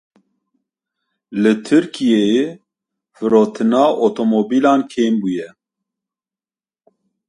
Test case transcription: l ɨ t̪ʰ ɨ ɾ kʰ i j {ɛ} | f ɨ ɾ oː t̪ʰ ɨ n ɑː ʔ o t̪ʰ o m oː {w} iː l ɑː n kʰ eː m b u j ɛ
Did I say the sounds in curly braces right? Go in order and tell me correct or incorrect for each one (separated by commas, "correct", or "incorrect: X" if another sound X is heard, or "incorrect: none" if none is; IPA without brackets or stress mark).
incorrect: e, incorrect: b